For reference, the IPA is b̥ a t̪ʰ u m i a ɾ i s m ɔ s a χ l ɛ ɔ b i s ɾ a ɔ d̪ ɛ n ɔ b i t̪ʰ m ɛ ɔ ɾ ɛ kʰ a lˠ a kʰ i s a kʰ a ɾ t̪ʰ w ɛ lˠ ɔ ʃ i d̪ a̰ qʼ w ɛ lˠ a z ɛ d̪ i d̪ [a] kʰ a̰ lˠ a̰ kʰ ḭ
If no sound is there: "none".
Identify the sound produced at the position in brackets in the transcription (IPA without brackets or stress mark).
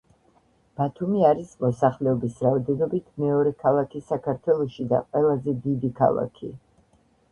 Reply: i